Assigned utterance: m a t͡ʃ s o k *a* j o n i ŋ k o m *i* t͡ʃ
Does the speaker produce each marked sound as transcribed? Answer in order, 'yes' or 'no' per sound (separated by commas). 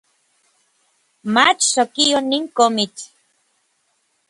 no, yes